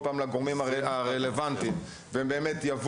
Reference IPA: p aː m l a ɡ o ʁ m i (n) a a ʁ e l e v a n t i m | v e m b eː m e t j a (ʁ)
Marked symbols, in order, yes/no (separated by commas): no, no